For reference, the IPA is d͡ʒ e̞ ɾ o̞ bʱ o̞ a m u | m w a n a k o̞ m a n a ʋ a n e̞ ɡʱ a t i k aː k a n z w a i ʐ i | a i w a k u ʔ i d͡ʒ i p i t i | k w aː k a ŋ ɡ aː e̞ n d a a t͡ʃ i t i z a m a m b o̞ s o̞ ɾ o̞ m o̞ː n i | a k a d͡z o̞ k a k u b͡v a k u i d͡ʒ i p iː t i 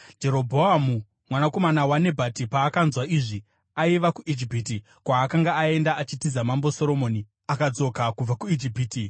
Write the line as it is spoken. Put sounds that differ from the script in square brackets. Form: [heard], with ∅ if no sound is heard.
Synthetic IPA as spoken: d͡ʒ e̞ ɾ o̞ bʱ o̞ a m u | m w a n a k o̞ m a n a [w] a n e̞ [bʱ] a t i [p] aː k a n z w a i ʐ i | a i [ʋ] a k u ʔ i d͡ʒ i p i t i | k w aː k a ŋ ɡ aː e̞ n d a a t͡ʃ i t i z a m a m b o̞ s o̞ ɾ o̞ m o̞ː n i | a k a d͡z o̞ k a k u b͡v a k u i d͡ʒ i p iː t i